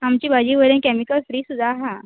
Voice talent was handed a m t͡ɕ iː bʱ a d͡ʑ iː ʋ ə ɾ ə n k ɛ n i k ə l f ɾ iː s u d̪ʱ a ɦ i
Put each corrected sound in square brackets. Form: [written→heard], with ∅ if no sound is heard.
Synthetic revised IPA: a m t͡ɕ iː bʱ a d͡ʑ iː ʋ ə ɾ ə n k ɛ [n→m] i k ə l f ɾ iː s u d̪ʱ a ɦ [i→a]